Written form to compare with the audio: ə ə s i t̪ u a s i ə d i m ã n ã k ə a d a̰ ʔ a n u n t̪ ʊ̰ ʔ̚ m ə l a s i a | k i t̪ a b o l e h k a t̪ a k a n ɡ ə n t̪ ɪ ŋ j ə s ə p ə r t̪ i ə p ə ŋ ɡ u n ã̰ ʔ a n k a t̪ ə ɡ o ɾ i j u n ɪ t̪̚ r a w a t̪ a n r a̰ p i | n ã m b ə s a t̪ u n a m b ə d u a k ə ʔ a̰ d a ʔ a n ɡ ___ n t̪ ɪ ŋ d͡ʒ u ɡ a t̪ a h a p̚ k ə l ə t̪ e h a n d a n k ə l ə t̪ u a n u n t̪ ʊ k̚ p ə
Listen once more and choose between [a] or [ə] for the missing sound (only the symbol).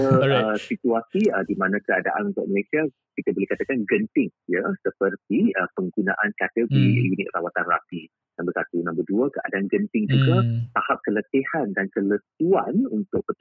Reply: ə